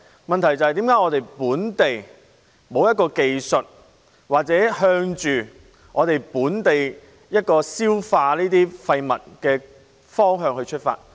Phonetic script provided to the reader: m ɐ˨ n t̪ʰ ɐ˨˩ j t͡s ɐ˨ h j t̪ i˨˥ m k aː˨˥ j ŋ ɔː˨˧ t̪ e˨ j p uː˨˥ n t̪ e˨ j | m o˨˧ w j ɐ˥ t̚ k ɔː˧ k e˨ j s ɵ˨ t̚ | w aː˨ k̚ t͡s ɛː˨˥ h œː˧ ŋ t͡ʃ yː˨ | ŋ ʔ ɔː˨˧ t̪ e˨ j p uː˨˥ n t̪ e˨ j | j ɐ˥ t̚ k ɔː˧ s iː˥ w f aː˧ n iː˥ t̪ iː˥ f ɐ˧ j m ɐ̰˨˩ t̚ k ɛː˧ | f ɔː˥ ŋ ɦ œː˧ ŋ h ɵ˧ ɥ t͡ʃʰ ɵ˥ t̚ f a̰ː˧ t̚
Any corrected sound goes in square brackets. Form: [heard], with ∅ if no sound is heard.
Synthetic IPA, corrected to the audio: m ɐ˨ n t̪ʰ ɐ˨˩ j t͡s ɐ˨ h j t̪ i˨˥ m k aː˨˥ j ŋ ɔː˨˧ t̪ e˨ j p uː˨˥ n t̪ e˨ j | m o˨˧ w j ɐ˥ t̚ k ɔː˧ k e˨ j s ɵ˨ t̚ | w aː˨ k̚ t͡s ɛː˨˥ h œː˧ ŋ t͡ʃ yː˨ | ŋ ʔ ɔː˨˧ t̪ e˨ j p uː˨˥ n t̪ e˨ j | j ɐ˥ t̚ k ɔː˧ s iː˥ w f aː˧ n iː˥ t̪ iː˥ f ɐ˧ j m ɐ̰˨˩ t̚ k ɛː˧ | f ɔː˥ ŋ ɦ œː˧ ŋ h ɵ˧ ɥ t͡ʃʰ ɵ˥ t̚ f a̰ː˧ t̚